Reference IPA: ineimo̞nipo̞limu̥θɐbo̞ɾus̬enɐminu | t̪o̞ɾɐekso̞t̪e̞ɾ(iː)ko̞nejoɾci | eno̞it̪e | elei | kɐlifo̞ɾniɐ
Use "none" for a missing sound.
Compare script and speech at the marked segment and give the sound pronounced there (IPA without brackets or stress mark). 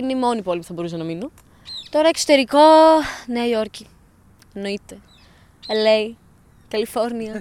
i